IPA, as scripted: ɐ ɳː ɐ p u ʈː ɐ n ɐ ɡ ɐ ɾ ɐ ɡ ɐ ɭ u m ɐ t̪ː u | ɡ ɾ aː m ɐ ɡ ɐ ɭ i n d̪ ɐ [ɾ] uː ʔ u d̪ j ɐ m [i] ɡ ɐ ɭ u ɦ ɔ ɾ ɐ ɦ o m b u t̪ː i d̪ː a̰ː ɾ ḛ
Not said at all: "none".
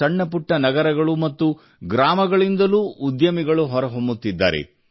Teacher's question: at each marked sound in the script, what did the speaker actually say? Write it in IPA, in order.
l, i

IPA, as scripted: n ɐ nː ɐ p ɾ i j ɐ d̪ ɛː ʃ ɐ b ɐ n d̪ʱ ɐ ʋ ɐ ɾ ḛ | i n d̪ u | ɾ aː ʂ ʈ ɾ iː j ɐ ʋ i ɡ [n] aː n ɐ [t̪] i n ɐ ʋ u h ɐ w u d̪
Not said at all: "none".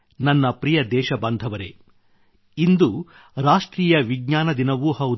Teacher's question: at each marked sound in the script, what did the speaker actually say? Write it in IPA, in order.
ɲ, d̪

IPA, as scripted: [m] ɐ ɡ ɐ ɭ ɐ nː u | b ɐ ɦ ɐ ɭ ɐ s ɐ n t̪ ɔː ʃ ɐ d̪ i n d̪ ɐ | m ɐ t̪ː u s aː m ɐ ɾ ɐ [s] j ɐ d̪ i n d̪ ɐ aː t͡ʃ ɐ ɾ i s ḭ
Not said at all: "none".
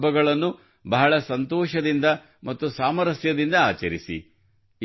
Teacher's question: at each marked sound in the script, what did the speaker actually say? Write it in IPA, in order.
b, s

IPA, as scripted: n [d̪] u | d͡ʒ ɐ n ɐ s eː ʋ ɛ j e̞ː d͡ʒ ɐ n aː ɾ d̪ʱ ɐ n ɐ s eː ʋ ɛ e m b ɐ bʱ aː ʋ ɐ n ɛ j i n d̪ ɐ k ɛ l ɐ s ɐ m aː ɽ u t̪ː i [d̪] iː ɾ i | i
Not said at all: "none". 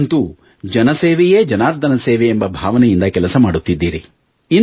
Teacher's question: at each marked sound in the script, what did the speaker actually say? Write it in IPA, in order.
t̪, d̪ː

